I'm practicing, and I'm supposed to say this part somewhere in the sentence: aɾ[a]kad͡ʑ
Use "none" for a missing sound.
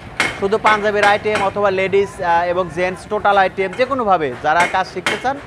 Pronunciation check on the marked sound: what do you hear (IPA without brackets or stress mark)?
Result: a